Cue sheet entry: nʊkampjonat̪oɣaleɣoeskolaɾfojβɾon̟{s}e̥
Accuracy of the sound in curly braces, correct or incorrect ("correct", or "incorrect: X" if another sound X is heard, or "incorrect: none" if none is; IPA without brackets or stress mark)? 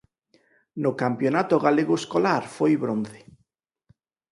incorrect: θ